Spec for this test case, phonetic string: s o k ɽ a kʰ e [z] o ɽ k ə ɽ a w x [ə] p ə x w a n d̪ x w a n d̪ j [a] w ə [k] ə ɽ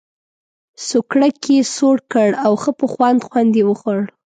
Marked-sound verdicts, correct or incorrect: incorrect: s, correct, incorrect: e, incorrect: x

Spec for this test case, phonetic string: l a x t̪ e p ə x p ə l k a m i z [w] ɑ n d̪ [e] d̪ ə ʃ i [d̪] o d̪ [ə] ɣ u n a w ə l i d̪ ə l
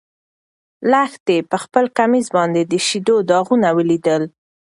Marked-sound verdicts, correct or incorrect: incorrect: b, correct, correct, incorrect: ɑ

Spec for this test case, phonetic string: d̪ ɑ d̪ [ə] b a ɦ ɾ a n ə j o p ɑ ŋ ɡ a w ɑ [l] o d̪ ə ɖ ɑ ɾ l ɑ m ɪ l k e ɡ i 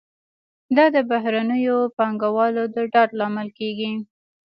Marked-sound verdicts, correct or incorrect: correct, correct

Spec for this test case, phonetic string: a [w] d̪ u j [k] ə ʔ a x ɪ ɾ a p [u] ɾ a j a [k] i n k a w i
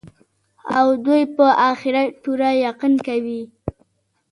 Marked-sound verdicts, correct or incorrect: correct, incorrect: p, correct, incorrect: q

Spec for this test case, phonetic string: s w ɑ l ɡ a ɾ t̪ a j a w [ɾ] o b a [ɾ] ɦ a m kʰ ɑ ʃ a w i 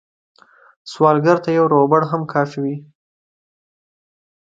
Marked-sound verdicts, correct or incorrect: correct, incorrect: ɽ

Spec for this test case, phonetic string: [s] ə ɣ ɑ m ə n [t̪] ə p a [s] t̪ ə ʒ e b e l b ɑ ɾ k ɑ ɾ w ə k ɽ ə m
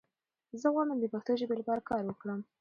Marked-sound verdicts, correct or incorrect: incorrect: z, incorrect: d̪, incorrect: x

